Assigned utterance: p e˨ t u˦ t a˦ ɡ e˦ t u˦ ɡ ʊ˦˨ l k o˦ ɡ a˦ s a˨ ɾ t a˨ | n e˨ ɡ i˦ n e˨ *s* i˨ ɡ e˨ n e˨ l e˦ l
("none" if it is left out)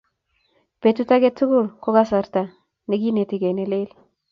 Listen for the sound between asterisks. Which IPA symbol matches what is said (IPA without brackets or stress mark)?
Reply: t